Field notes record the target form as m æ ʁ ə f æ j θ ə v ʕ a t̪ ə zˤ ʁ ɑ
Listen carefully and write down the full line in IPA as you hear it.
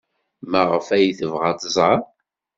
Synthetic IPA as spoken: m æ ʁ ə f æ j θ ə v ʁ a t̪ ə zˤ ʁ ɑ